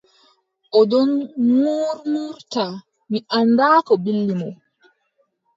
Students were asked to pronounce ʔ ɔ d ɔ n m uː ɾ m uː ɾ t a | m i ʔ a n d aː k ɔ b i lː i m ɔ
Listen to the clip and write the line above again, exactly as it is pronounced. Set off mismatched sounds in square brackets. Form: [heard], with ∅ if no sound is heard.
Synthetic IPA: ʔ ɔ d ɔ n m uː ɾ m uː ɾ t a | m i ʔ a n d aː k ɔ b i lː i m ɔ